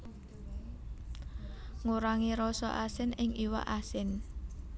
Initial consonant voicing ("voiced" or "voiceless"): voiced